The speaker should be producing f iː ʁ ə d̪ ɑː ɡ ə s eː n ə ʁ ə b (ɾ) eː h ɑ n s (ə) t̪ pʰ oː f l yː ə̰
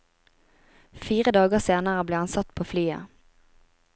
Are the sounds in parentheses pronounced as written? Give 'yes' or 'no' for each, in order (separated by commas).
no, no